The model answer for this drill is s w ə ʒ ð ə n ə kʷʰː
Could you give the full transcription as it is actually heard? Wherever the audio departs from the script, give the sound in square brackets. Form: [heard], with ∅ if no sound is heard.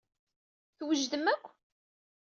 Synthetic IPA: [θ] w ə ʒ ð ə [m] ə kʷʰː